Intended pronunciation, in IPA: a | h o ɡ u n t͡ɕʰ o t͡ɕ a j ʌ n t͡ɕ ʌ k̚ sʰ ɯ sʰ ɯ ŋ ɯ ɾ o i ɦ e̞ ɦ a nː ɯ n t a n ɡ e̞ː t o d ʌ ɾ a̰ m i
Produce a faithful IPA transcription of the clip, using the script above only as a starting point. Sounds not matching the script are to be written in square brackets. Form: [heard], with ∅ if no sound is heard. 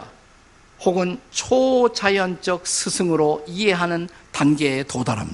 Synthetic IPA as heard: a | h o ɡ [ɯ] n t͡ɕʰ o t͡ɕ a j ʌ n t͡ɕ ʌ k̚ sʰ ɯ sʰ ɯ ŋ ɯ ɾ o i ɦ e̞ ɦ a [n] ɯ n t a n ɡ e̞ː t o d [a] ɾ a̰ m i